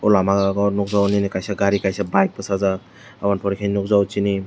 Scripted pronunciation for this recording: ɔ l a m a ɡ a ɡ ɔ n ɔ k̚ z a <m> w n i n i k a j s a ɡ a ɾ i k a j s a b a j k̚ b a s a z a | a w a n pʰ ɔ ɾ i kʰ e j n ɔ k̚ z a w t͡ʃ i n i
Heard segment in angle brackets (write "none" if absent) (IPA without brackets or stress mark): none